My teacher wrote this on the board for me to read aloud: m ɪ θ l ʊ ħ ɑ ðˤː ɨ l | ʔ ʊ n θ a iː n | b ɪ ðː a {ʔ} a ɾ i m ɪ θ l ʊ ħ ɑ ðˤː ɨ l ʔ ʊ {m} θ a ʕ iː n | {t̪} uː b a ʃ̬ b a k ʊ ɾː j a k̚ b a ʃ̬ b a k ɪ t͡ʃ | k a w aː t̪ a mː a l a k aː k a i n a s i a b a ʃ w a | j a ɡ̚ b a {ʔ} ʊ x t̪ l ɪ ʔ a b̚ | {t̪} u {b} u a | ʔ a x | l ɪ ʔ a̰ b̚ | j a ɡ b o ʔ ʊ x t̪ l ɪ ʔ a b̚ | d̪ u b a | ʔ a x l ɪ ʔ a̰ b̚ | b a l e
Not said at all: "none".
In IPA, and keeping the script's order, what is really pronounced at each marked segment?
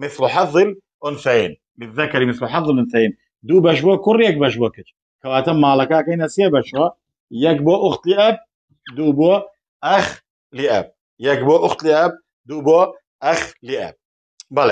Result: k, n, d̪, ʔ, d̪, b

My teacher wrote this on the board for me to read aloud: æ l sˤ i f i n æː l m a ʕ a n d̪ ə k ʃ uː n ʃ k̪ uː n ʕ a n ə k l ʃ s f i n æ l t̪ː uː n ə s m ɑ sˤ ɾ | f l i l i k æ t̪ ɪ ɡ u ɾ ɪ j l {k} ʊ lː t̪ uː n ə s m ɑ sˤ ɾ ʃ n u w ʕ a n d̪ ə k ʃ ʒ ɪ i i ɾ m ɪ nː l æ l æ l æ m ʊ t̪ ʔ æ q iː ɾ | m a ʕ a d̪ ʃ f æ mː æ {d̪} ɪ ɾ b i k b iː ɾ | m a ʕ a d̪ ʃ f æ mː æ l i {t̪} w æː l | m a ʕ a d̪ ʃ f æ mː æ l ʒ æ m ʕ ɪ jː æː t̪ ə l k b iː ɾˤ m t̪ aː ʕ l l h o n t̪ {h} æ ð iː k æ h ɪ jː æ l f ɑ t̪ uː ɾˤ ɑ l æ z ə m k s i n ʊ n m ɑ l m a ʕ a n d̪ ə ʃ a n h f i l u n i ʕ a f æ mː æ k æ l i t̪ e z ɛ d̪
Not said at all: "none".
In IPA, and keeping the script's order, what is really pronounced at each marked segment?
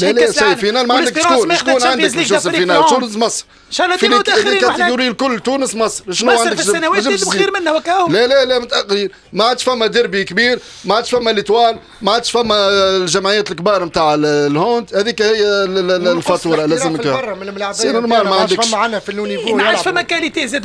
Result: k, d̪, t̪, h

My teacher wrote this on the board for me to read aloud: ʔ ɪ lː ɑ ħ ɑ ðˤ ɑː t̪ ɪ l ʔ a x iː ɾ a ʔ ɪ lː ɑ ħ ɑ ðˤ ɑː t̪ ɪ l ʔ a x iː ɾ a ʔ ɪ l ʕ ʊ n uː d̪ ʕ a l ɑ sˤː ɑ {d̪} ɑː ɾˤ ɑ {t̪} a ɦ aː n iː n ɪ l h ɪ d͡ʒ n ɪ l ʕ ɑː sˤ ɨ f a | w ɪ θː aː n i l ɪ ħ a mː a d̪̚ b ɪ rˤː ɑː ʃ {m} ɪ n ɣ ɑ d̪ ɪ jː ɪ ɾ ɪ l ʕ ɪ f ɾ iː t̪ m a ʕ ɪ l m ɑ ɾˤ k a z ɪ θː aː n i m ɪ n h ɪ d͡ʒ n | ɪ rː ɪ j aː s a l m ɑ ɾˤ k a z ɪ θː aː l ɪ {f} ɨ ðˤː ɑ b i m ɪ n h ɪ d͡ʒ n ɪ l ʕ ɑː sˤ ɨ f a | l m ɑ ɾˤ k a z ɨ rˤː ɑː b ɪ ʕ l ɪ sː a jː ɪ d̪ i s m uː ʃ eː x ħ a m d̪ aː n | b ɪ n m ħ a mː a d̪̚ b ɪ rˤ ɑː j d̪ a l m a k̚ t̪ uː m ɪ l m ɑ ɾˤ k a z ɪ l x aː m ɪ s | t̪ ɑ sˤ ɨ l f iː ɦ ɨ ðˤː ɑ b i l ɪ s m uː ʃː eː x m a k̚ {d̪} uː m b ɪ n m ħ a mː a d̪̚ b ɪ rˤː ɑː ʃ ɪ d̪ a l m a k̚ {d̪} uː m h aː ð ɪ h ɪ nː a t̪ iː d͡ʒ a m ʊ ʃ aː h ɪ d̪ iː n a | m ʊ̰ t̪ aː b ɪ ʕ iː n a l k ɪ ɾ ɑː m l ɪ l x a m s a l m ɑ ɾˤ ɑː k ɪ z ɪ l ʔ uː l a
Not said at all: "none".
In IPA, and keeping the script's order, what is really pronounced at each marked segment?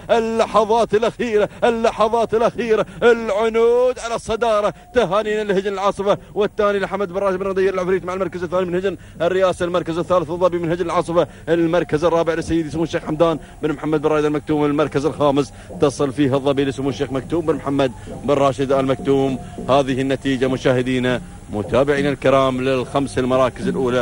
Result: d̪, t̪, b, θ, t̪, t̪

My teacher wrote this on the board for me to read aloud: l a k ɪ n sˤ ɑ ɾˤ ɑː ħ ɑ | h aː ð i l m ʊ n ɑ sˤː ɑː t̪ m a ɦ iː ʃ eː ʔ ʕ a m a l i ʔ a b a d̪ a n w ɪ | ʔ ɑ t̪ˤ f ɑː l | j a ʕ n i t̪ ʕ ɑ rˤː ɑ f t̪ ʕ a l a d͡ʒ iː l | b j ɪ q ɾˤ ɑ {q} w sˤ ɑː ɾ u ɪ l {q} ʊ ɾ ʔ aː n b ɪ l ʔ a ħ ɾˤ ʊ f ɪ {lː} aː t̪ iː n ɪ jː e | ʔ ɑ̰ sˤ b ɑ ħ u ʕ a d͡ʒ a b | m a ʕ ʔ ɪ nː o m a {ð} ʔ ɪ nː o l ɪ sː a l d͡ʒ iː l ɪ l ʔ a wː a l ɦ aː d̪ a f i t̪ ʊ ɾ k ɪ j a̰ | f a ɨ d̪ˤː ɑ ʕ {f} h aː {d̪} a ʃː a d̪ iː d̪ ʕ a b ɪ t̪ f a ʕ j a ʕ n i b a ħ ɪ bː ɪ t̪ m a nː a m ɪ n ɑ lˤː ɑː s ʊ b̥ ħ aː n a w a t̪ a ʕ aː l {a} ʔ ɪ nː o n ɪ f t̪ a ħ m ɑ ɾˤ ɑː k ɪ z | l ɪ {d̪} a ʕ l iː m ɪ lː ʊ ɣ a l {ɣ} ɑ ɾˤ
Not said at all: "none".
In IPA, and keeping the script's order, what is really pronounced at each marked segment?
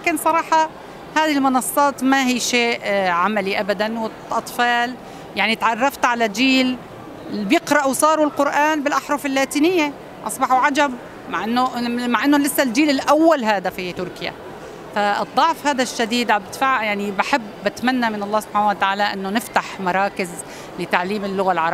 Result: ʔ, q, lː, ʕ, f, d̪, a, t̪, ʕ

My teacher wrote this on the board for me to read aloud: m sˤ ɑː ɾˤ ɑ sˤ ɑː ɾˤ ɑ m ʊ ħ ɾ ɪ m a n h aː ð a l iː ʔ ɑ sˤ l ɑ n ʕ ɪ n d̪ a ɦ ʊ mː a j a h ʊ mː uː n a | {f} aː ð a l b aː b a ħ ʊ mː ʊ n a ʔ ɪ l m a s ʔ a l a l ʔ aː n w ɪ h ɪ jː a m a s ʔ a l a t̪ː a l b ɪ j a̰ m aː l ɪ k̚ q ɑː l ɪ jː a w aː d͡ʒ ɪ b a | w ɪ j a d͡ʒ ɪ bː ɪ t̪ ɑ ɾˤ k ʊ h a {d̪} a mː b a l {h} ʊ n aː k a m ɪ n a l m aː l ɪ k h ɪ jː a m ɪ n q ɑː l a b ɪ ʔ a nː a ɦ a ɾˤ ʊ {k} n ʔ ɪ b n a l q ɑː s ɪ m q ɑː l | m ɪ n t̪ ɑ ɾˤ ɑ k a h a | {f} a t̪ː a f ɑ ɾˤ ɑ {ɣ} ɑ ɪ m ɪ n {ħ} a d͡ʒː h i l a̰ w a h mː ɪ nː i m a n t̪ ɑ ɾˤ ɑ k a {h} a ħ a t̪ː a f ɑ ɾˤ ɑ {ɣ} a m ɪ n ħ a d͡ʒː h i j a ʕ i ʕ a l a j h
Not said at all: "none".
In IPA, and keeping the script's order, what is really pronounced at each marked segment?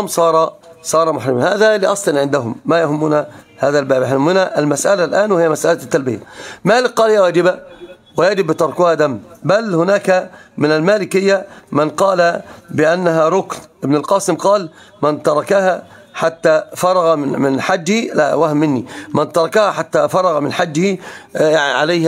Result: h, d̪, h, k, ħ, ɣ, ħ, h, ɣ

